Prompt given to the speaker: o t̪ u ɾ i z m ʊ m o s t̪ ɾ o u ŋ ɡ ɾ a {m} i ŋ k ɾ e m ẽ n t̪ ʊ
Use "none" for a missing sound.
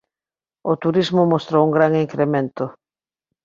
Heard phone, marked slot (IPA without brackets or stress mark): ŋ